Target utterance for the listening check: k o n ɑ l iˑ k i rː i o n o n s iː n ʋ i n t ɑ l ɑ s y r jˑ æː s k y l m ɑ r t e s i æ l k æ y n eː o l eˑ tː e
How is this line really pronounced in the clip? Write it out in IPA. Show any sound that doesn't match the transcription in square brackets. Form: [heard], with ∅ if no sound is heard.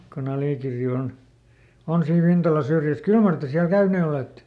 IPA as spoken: k o n ɑ l iˑ k i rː i o n o n s iː n ʋ i n t ɑ l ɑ s y r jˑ [æ] s k y l m ɑ r t e s i æ l k æ y n eː o l eˑ tː e